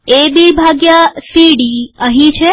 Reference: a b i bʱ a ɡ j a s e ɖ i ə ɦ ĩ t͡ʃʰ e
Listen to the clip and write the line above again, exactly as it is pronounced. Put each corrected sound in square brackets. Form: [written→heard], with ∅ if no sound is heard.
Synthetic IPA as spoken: [a→e] b i bʱ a ɡ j a s [e→i] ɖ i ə ɦ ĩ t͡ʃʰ e

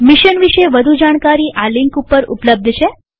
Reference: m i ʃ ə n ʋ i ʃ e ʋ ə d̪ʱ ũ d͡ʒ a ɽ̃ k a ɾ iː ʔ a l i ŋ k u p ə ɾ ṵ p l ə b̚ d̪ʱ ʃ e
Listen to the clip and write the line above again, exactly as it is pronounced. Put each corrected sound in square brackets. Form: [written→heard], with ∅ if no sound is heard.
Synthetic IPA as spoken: m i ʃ ə n ʋ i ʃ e ʋ ə d̪ʱ [ũ→u] d͡ʒ a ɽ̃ k a ɾ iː ʔ a l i ŋ k u p ə ɾ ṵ p l ə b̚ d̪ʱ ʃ e

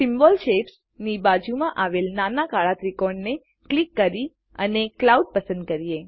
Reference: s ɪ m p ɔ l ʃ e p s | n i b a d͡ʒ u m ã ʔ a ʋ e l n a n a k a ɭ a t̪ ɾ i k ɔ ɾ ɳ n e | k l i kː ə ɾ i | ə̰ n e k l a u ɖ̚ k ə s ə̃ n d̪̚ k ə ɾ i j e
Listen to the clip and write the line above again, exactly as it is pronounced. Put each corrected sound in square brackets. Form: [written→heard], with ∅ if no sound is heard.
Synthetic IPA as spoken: s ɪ m [p→b] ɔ l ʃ e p s | n i b a d͡ʒ u m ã ʔ a ʋ e l n a n a k a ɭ a t̪ ɾ i k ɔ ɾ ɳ n e | k l i kː ə ɾ i | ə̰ n e k l a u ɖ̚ [k→p] ə s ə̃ n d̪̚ k ə ɾ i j e

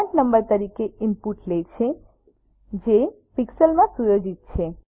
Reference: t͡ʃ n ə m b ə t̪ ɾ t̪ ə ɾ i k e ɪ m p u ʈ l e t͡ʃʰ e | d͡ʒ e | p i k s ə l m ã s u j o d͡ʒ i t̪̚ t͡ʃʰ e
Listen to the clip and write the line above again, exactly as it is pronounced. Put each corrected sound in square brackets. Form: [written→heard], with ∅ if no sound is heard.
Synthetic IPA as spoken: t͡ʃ n ə m b ə [t̪→∅] ɾ t̪ ə ɾ i k e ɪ m p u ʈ l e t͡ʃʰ e | d͡ʒ e | p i k s ə l m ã s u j o d͡ʒ i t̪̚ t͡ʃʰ e

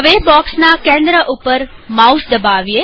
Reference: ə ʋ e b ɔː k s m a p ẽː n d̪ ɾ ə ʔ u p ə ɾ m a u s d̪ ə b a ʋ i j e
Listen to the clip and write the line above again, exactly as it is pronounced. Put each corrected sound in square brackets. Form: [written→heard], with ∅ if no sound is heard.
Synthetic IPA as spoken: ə ʋ e b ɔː k s [m→n] a [p→k] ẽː n d̪ ɾ ə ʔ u p ə ɾ m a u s d̪ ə b a ʋ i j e

